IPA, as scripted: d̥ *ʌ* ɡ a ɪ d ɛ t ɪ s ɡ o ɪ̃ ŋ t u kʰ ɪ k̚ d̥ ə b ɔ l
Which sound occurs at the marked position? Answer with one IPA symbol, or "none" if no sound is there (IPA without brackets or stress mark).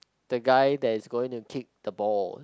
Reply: ə